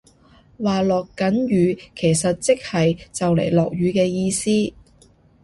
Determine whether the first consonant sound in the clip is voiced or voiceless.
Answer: voiced